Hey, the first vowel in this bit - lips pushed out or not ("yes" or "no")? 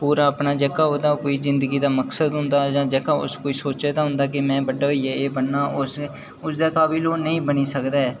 yes